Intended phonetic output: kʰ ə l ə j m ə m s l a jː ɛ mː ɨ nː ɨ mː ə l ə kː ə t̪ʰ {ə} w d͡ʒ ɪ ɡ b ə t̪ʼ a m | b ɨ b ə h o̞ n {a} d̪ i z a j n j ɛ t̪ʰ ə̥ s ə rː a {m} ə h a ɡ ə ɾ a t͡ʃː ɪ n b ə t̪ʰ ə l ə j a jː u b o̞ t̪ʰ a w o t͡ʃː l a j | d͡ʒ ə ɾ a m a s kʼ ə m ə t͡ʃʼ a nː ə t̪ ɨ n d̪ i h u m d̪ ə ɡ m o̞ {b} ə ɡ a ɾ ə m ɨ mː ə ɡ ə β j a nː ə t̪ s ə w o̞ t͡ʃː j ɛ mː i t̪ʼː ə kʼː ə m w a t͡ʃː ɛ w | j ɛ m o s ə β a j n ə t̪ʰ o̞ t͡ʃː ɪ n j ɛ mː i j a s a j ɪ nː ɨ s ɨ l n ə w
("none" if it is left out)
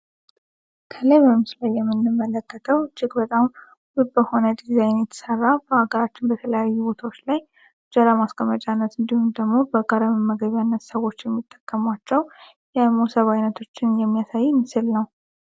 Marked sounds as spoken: ə, ə, b, b

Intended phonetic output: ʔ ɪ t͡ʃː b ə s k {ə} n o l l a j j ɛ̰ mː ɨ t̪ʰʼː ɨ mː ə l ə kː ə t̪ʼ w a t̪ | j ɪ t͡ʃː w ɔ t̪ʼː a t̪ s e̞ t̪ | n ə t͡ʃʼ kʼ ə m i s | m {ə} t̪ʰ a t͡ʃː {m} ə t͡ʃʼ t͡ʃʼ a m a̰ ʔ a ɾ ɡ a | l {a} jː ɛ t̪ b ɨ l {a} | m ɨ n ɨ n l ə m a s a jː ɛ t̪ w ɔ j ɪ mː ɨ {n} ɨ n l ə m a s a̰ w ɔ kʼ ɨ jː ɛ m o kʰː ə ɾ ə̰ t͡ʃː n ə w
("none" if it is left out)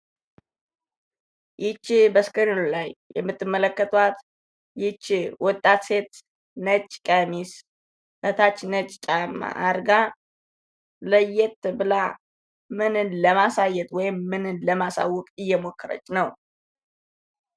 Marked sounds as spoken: ə, ə, n, ə, a, n

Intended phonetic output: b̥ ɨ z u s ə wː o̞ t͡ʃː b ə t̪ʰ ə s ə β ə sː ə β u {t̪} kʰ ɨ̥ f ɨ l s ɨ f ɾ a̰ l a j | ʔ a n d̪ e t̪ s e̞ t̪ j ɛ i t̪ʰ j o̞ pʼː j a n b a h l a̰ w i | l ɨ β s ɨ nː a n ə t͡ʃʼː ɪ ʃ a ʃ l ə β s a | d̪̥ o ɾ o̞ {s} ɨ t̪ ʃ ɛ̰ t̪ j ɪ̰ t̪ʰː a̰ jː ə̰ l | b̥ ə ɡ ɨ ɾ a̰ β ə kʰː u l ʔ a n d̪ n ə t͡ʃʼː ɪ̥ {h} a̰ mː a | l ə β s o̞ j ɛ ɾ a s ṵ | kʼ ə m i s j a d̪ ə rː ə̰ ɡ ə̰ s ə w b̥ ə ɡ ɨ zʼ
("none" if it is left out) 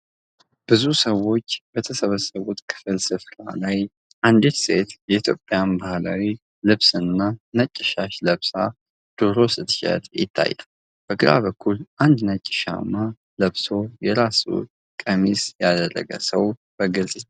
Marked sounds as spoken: t̪, s, ʃ

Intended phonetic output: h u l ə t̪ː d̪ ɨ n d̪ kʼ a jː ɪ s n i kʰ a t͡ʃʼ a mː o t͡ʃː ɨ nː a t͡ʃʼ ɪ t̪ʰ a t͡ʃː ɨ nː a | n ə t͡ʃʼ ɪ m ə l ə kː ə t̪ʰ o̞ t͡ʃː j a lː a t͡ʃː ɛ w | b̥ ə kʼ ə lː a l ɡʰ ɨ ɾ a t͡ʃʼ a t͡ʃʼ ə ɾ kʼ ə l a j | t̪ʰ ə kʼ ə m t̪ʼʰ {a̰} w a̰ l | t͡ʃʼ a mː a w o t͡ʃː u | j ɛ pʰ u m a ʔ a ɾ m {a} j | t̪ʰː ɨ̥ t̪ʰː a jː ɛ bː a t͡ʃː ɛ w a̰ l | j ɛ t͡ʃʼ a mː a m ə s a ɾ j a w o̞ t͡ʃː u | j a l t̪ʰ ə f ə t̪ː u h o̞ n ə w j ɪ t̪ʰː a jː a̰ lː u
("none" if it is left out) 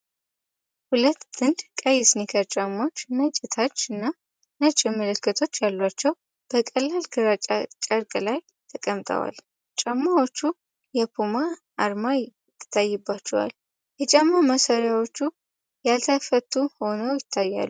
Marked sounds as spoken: ə̰, a

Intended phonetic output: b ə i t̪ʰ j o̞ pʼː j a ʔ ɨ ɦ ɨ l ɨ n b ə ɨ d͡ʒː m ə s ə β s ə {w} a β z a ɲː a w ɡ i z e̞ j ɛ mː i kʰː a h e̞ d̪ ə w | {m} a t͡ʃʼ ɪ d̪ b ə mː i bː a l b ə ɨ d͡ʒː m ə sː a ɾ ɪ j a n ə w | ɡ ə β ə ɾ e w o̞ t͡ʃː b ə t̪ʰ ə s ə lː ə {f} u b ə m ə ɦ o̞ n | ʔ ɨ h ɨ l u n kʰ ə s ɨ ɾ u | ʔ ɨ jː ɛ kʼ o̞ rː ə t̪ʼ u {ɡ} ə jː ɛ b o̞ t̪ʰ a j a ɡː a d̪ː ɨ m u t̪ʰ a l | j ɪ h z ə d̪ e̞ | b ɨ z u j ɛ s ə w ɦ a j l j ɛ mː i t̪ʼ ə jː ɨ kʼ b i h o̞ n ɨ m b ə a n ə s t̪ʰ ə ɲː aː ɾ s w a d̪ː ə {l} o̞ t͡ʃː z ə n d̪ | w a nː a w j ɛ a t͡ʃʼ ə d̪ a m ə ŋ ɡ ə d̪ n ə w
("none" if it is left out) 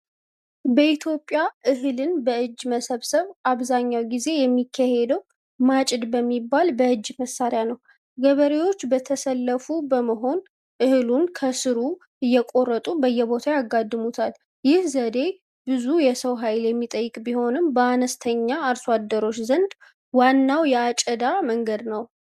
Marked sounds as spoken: β, m, f, b, ɾ

